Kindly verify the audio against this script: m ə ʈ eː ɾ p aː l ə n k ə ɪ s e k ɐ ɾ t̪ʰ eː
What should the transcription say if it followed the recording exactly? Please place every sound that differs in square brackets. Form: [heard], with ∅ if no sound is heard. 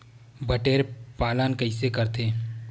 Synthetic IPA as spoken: [b] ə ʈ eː ɾ p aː l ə n k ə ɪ s e k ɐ ɾ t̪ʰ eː